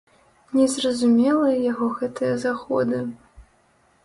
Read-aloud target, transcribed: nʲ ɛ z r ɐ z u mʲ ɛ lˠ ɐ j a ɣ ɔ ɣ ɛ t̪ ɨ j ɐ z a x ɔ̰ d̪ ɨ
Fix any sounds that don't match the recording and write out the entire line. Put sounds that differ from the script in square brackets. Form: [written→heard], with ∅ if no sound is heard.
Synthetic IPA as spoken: nʲ ɛ z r ɐ z u mʲ ɛ lˠ ɐ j a ɣ ɔ ɣ ɛ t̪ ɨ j ɐ z a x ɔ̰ d̪ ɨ